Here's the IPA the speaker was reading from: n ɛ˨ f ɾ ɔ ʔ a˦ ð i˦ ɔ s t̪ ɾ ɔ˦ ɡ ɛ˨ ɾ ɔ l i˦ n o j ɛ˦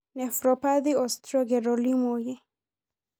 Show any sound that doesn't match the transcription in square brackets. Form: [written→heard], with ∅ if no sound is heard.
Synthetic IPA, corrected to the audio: n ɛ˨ f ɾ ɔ [ʔ→p] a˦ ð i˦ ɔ s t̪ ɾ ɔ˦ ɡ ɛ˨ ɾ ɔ l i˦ [n→m] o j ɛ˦